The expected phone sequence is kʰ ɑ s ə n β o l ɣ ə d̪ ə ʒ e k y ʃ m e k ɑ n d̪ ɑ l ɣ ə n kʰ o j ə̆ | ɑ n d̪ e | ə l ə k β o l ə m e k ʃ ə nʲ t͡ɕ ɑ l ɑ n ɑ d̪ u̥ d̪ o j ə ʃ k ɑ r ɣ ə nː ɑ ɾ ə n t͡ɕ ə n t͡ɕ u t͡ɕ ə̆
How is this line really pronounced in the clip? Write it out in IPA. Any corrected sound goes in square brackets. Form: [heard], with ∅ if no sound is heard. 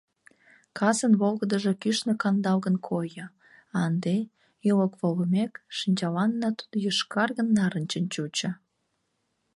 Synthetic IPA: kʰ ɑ s ə n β o l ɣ ə d̪ ə ʒ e k y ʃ [n] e k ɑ n d̪ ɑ l ɣ ə n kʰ o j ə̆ | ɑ n d̪ e | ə l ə k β o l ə m e k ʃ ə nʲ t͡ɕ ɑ l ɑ [nː] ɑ [t̪] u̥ d̪ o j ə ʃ k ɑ r ɣ ə nː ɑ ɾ ə n t͡ɕ ə n t͡ɕ u t͡ɕ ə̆